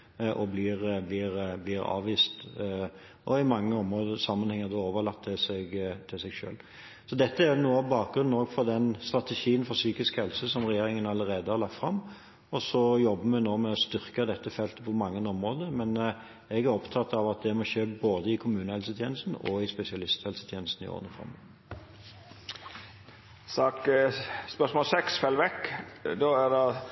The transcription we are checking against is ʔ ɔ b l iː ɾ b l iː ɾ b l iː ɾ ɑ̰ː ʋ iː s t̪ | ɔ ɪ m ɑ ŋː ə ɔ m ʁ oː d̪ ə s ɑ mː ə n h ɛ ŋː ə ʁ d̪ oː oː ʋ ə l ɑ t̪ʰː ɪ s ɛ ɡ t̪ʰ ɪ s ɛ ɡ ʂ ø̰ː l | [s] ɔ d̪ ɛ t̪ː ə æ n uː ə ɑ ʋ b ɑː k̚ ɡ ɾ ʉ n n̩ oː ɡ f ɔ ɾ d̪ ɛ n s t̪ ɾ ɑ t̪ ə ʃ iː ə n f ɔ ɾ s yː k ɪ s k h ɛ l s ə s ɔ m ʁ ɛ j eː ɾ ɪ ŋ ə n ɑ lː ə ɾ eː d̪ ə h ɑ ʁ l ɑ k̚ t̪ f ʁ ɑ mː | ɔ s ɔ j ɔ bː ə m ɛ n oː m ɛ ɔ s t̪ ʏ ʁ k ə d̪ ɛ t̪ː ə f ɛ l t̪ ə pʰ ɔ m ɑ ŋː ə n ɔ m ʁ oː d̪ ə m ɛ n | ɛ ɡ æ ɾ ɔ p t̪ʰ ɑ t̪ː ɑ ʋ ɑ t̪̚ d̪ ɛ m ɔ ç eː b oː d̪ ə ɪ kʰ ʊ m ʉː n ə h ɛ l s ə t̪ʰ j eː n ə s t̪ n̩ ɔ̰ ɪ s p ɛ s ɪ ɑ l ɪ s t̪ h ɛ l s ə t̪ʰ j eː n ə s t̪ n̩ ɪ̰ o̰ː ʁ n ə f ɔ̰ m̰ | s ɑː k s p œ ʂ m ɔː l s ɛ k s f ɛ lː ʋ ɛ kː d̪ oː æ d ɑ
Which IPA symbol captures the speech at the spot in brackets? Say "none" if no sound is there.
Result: s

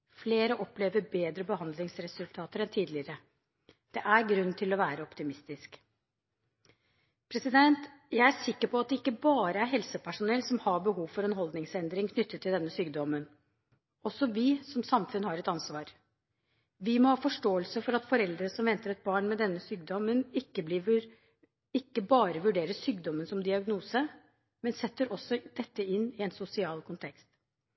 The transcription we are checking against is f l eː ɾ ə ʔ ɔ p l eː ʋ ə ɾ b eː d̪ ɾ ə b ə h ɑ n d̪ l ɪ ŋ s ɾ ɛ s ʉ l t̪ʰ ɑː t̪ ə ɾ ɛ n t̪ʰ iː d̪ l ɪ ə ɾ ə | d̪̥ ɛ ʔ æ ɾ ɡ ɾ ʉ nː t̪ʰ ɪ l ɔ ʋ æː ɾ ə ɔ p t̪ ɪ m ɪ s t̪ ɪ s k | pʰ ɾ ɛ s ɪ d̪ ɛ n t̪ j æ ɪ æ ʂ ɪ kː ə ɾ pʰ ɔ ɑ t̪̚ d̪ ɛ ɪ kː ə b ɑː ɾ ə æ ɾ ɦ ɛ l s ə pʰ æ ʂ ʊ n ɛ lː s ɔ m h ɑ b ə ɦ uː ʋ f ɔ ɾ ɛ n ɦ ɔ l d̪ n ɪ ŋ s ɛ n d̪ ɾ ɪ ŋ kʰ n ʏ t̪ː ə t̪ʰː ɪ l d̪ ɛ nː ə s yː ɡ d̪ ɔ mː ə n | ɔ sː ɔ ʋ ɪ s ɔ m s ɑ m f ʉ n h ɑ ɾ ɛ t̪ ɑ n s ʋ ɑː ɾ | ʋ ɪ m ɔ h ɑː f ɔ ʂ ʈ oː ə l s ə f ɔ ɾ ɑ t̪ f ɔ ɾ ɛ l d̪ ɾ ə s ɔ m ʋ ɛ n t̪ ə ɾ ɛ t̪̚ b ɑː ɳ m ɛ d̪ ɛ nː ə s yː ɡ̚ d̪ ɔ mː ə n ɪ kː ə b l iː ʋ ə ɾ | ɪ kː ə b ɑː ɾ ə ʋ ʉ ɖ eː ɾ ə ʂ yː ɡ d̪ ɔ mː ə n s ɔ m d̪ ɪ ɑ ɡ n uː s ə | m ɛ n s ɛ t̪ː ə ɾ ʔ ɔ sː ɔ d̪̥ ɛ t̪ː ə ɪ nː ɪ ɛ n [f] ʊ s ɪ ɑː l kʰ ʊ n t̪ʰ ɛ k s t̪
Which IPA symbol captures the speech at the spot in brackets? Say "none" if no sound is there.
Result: s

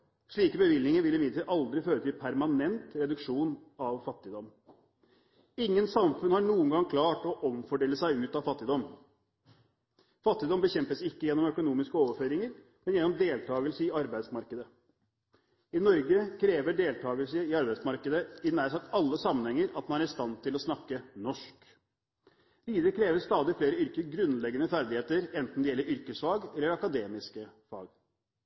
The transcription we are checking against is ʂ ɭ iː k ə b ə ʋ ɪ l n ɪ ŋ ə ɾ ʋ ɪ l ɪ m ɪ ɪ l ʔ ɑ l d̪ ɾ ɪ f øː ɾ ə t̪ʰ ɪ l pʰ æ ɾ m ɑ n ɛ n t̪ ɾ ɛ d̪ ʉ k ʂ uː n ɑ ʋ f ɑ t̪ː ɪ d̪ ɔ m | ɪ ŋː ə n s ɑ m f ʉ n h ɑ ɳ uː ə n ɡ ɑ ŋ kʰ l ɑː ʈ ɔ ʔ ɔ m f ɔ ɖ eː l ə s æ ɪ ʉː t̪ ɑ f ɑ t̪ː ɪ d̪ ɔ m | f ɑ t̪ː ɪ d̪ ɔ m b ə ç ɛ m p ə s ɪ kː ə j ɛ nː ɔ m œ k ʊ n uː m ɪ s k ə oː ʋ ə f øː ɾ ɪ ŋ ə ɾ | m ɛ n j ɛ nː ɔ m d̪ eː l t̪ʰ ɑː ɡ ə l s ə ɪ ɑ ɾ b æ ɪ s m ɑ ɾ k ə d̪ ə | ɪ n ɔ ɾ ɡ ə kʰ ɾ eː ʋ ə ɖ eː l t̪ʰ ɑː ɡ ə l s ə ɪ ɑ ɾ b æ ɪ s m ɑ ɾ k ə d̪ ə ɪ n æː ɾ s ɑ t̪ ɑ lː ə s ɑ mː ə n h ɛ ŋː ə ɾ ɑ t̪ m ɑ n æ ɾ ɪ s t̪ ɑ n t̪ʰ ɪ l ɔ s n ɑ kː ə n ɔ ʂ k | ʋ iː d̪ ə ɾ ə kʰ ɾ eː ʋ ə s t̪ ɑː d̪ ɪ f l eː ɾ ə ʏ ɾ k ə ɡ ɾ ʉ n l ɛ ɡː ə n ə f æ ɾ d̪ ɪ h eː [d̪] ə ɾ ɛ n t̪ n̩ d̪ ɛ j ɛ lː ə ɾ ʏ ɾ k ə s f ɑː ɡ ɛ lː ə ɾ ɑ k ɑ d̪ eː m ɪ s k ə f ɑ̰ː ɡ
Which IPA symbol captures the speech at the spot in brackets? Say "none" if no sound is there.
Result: t̪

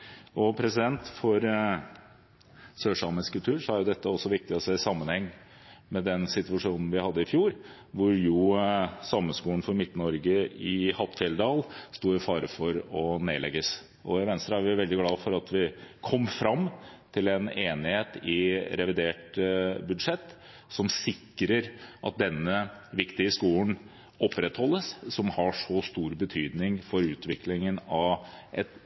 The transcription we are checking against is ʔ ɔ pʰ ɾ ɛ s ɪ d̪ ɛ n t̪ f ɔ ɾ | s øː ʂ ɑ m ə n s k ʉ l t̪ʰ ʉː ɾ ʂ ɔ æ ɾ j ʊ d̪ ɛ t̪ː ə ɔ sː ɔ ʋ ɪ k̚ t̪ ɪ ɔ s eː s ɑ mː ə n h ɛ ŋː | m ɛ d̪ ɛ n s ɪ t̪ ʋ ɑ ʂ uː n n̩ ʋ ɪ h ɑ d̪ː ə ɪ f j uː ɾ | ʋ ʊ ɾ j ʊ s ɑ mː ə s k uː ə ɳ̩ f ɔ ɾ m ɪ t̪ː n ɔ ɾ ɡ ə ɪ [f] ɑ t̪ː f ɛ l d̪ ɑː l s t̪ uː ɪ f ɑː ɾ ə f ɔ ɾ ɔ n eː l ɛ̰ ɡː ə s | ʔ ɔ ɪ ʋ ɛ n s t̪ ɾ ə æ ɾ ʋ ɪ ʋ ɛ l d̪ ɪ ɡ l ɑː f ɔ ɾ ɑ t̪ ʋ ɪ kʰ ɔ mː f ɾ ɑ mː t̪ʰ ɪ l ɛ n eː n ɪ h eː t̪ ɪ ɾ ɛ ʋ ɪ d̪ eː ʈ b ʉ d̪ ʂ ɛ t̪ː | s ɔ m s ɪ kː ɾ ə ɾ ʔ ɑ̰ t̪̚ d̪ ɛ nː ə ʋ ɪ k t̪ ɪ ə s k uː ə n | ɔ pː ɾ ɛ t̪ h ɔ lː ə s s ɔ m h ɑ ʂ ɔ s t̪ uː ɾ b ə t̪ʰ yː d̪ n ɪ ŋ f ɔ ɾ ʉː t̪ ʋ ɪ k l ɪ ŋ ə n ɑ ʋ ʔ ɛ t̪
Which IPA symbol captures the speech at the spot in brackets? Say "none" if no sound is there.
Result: h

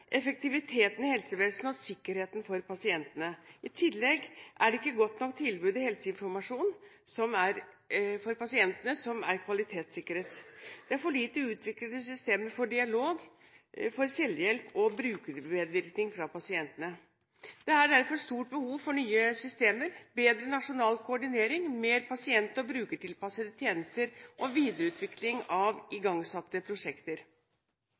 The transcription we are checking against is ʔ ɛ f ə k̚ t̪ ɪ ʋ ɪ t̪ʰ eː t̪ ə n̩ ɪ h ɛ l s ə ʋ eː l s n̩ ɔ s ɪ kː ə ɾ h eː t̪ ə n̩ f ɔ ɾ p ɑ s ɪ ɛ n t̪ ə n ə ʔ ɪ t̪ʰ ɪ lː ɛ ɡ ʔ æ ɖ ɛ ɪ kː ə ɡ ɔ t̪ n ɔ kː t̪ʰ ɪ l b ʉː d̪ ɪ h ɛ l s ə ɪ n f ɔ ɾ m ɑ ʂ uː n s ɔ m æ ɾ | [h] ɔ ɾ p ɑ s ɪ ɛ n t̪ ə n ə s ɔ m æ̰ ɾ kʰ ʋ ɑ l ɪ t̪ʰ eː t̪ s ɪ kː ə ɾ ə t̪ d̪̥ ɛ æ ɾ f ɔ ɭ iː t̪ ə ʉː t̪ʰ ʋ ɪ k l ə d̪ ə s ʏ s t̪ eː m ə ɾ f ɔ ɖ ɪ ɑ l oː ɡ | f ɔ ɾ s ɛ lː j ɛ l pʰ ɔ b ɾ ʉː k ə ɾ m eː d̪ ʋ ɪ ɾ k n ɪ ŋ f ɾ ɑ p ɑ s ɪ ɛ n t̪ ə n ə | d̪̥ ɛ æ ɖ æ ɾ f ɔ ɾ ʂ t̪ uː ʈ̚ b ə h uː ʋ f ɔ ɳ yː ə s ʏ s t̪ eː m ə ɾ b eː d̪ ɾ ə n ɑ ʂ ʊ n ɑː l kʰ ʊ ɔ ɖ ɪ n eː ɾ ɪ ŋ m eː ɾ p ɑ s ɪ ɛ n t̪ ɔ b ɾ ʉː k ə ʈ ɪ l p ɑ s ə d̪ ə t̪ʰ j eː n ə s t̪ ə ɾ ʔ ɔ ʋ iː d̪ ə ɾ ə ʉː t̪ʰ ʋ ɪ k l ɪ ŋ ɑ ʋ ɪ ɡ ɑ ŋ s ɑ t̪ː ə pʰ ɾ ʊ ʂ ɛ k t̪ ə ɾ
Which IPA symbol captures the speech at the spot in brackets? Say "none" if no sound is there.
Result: f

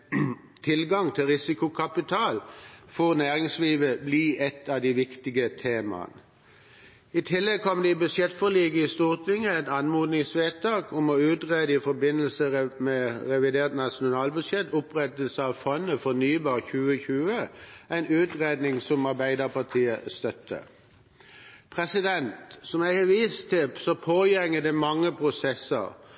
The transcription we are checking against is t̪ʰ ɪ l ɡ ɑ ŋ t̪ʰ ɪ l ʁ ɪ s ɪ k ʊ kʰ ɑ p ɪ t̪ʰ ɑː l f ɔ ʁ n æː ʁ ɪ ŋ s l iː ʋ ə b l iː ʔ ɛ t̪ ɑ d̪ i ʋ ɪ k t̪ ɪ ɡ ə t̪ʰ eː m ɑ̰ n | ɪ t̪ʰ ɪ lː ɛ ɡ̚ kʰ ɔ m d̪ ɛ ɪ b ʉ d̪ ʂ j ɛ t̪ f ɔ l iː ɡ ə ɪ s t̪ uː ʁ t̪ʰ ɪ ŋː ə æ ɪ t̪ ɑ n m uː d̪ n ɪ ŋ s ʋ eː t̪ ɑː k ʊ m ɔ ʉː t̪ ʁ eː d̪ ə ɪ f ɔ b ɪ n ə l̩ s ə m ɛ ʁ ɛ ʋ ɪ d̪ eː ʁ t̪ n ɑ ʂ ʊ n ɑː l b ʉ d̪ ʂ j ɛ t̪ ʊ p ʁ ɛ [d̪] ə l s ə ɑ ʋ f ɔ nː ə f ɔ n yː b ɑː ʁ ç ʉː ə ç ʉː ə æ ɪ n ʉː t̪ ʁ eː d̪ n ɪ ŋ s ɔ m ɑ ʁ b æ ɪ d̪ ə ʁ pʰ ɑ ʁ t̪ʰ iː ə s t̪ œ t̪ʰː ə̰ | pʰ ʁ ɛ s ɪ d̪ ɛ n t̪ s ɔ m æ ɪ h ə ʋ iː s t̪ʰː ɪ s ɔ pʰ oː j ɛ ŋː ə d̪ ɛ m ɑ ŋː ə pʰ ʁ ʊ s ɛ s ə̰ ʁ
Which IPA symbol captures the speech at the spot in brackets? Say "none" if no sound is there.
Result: t̪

